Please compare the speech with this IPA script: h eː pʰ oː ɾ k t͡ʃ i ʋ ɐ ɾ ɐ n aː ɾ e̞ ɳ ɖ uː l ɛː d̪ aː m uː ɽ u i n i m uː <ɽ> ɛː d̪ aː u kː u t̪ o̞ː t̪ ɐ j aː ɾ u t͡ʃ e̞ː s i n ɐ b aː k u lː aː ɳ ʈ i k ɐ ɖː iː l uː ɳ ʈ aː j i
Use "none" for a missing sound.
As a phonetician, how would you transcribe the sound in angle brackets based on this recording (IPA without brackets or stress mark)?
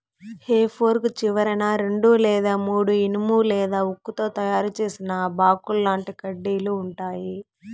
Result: l